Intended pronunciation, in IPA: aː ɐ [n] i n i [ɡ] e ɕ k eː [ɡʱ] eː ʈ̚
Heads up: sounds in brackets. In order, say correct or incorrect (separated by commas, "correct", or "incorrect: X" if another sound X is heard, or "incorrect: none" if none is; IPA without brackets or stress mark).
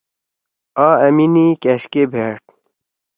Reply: incorrect: m, incorrect: k, incorrect: bʱ